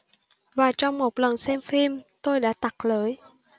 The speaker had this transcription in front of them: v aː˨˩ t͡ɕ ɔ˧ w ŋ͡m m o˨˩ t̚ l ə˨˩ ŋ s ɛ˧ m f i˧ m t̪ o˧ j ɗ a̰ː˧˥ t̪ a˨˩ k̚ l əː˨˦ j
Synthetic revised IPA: v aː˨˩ t͡ɕ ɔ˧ w ŋ͡m m o˨˩ t̚ l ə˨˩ n s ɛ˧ m f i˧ m t̪ o˧ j ɗ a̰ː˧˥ t̪ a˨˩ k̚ l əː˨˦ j